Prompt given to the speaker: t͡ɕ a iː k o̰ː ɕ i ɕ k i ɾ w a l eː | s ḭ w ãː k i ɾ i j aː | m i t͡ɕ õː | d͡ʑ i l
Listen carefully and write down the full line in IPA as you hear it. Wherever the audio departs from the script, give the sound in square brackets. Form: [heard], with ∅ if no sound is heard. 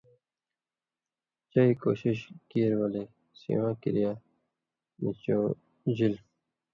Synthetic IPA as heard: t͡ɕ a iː k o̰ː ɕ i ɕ k i ɾ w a l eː | s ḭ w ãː k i ɾ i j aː | m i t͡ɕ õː | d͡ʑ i l